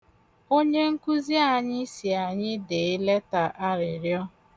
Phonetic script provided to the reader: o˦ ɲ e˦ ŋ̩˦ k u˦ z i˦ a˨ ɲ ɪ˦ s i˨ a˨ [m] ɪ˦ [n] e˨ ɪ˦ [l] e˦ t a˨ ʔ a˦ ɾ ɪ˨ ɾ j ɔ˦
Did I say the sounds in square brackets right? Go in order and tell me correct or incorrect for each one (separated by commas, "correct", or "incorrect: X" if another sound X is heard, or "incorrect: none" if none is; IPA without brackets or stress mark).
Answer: incorrect: ɲ, incorrect: d, correct